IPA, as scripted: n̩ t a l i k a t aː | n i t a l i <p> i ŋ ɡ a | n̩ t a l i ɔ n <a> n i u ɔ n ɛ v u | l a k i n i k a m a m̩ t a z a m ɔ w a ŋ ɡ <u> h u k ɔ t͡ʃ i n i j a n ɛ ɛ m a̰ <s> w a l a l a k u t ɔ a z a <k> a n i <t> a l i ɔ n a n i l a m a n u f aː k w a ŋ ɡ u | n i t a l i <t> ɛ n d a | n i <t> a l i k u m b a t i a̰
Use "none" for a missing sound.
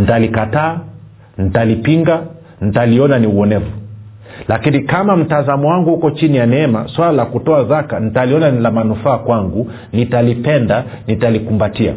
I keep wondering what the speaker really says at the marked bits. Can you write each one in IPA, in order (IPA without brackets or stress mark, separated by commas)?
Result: p, a, u, s, k, t, p, t